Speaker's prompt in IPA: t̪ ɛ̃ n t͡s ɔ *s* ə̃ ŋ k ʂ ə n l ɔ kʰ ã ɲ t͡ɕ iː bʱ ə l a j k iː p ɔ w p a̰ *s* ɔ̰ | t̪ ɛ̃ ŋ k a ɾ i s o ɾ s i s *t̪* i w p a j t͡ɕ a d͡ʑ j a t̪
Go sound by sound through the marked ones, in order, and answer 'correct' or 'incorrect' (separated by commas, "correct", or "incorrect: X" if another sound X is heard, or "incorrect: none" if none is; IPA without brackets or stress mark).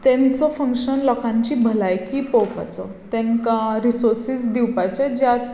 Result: incorrect: f, incorrect: t͡s, incorrect: d̪